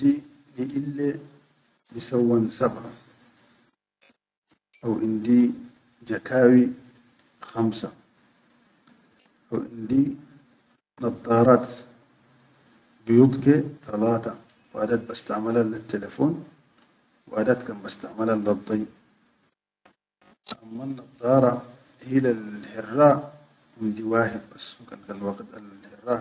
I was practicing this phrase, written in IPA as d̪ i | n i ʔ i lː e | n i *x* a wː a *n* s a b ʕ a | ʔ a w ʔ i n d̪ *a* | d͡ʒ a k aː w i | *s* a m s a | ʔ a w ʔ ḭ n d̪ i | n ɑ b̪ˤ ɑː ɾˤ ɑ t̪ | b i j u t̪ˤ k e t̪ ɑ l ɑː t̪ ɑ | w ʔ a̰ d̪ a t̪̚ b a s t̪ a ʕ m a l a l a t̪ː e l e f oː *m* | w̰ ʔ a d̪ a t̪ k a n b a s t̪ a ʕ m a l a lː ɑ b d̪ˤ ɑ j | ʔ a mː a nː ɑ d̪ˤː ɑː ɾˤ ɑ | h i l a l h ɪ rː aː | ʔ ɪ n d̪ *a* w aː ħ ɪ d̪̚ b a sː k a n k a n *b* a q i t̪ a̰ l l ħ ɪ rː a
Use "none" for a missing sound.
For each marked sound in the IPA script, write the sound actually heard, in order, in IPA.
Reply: s, n, i, x, n, i, w

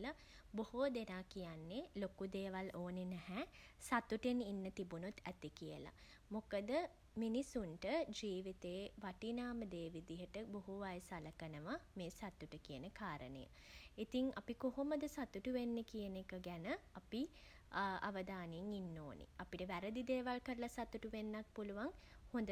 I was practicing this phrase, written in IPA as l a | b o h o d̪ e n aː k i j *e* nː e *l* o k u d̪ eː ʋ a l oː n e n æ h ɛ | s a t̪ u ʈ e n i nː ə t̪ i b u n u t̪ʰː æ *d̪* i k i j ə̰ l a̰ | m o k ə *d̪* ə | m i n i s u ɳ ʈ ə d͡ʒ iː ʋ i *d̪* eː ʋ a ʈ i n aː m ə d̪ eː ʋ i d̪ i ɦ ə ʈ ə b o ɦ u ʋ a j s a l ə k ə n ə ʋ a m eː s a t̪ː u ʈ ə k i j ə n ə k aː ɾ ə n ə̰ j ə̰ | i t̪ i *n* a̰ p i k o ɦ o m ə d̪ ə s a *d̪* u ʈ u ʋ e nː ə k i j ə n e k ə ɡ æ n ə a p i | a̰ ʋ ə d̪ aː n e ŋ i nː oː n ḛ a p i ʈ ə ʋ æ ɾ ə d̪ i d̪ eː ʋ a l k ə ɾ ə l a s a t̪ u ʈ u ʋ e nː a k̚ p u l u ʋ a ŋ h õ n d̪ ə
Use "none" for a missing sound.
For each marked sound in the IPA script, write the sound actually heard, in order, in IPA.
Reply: a, l, t̪, d̪, t̪, ŋ, t̪

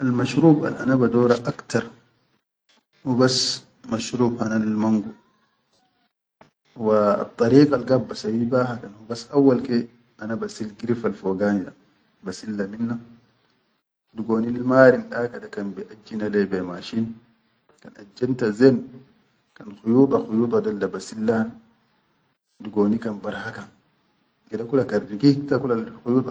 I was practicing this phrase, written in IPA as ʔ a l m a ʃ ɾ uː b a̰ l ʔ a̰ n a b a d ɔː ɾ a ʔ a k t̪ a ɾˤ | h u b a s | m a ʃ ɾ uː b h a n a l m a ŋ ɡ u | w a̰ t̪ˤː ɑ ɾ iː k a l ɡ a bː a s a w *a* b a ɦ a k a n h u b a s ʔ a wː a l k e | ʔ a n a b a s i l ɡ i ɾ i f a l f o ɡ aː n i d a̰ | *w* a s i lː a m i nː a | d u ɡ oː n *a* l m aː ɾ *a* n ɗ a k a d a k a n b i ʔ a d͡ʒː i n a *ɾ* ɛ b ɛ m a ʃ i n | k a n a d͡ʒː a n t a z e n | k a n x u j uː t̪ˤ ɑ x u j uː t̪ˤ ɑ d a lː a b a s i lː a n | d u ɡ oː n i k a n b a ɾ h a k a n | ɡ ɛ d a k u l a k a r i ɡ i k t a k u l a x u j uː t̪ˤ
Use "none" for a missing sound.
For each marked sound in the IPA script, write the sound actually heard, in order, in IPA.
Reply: i, b, i, i, l

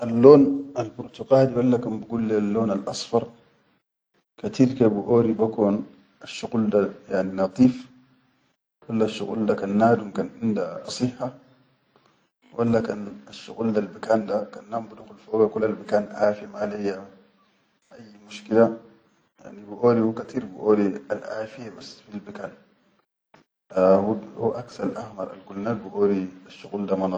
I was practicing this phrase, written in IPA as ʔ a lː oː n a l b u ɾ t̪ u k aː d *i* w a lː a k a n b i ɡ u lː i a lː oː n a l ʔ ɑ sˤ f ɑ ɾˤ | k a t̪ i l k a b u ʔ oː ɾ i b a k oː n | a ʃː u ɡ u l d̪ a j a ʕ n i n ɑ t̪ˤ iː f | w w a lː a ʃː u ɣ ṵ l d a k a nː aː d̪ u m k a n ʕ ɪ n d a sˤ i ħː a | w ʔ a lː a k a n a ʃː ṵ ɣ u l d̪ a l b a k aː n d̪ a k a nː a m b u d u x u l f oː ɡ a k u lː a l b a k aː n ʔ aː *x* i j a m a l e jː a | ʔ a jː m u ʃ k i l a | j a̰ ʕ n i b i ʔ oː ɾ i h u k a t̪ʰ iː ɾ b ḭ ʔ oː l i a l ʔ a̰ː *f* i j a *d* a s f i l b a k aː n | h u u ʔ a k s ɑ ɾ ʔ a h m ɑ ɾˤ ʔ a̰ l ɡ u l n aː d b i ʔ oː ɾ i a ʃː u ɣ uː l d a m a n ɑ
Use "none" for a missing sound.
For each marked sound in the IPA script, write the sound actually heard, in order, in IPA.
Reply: i, f, f, b

